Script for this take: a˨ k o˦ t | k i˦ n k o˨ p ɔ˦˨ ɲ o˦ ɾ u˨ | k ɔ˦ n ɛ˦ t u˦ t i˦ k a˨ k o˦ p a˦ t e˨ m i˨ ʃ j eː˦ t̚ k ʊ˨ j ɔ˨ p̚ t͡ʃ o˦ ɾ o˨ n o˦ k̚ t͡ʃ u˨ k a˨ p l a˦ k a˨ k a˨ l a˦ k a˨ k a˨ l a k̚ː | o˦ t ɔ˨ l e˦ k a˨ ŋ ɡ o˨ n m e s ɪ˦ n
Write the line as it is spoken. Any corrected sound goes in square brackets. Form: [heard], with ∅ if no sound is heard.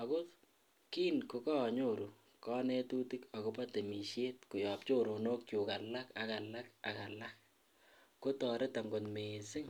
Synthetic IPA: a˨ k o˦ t | k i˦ n k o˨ [k] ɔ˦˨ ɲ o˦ ɾ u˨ | k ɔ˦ n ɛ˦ t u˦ t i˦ k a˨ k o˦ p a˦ t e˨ m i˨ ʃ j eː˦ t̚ k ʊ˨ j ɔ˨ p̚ t͡ʃ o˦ ɾ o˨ n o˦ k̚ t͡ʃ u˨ k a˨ [∅] l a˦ k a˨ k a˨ l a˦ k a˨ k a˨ l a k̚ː | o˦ t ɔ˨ [ɾ] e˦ [t] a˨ ŋ ɡ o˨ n m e s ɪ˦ [ŋ]

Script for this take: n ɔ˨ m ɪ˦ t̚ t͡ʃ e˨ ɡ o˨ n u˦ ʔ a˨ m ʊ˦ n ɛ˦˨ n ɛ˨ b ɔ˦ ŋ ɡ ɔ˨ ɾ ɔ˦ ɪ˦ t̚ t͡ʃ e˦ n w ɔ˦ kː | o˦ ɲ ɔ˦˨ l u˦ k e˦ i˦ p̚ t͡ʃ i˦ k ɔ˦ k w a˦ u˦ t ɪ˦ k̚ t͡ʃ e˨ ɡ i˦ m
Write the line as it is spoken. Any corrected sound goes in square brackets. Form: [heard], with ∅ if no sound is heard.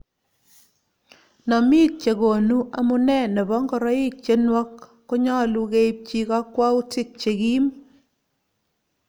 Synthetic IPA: n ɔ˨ m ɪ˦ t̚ t͡ʃ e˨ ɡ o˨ n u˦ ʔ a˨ m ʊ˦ n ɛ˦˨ n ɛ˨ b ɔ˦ ŋ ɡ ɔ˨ ɾ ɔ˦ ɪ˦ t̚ t͡ʃ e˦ n w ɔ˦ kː | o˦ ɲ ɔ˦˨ l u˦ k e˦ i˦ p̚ t͡ʃ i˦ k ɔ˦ k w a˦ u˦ t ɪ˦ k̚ t͡ʃ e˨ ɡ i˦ m

